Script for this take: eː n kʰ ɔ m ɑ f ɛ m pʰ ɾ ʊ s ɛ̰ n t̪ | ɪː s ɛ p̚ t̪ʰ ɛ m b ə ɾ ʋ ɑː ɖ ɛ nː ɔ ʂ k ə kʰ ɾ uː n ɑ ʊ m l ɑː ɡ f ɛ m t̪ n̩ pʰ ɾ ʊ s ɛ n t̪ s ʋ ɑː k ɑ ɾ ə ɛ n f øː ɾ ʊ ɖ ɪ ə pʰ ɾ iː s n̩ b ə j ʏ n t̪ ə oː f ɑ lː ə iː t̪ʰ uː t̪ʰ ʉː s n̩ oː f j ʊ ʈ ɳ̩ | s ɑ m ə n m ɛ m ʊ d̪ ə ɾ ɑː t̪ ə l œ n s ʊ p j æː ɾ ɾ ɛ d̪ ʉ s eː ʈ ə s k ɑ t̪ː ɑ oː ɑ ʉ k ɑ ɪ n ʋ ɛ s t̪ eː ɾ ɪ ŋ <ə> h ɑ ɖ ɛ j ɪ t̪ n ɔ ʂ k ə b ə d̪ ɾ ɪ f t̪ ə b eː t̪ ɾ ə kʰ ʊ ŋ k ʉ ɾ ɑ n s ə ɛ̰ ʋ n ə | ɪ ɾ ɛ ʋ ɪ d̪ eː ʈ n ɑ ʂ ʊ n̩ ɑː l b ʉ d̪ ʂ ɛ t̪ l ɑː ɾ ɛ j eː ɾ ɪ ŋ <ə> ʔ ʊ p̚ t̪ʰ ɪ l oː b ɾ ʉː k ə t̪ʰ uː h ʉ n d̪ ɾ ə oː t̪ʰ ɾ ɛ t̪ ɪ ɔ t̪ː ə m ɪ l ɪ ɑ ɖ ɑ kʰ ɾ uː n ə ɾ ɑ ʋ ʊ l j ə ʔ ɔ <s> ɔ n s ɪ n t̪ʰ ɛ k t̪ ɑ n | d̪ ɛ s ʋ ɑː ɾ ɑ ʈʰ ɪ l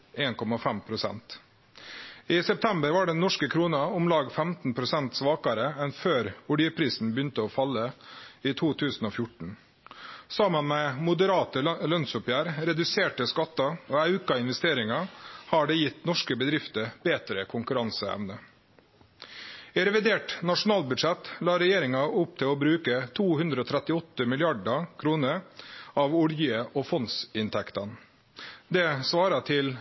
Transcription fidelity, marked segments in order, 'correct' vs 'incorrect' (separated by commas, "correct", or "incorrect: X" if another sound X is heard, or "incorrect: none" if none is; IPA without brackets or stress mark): incorrect: ɑ, incorrect: ɑ, incorrect: f